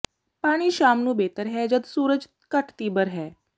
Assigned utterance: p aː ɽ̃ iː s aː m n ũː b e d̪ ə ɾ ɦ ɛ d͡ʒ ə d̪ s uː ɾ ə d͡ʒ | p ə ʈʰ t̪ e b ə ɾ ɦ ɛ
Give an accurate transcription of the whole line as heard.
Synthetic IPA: p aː ɽ̃ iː ʃ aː m n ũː b e t̪ ə ɾ ɦ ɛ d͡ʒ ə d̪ s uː ɾ ə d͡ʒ | k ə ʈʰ t̪ i b ə ɾ ɦ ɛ